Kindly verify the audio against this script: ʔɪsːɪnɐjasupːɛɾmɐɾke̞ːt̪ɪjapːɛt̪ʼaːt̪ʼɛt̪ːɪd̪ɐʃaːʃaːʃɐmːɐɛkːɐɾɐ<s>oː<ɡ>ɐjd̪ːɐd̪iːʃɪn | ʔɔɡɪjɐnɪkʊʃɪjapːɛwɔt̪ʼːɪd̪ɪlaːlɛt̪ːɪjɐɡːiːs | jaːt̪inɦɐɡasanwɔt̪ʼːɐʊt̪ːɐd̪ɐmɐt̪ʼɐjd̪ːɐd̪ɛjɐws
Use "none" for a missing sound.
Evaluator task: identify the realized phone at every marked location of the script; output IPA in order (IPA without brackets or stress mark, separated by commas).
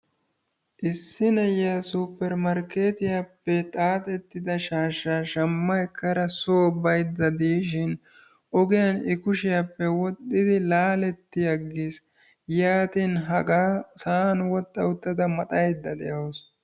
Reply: s, b